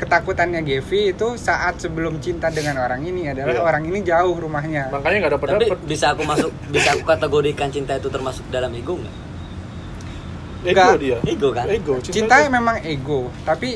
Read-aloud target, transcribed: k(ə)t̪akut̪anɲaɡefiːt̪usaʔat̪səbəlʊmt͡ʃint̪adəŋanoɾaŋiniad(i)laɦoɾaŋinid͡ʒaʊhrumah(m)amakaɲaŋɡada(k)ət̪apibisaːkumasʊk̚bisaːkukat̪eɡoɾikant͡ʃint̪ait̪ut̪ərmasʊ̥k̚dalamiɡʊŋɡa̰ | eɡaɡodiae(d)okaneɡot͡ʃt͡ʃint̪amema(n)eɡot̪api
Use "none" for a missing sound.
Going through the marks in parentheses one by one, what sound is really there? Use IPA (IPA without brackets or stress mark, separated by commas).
ə, a, ɲ, p, ɡ, ŋ